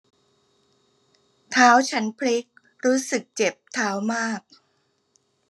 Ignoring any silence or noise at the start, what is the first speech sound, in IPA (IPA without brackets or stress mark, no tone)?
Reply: t̪ʰ